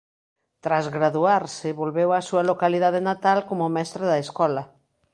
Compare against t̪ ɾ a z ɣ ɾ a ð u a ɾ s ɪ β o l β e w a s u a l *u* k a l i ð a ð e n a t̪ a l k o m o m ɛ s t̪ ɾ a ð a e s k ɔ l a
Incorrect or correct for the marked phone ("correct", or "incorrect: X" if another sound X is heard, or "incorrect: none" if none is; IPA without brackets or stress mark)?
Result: incorrect: o